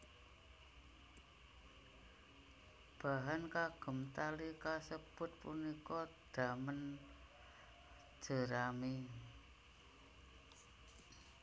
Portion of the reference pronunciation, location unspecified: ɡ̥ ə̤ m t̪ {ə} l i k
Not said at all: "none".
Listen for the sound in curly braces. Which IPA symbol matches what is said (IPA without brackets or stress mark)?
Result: a